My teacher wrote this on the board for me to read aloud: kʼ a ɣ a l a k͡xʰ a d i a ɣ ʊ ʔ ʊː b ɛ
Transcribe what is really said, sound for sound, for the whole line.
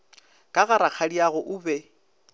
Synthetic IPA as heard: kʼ a ɣ a ɾ a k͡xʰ a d i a ɣ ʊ ʔ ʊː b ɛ